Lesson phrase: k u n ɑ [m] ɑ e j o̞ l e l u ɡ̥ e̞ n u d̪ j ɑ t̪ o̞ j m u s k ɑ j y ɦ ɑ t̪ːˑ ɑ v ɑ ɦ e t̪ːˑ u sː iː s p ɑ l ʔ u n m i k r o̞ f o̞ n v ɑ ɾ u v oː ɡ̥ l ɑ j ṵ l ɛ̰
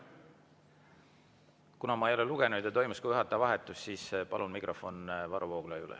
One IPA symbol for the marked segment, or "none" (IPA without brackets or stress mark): m